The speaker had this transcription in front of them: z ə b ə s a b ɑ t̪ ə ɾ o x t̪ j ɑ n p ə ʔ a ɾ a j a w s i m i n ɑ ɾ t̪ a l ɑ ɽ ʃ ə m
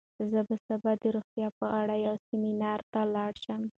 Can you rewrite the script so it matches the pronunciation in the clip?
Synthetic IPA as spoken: z ə b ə s a b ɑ d̪ ə ɾ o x t̪ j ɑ p ə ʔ a ɽ a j a w s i m i n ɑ ɾ t̪ a l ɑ ɽ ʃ ə m